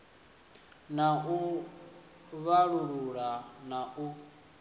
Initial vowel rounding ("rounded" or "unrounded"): unrounded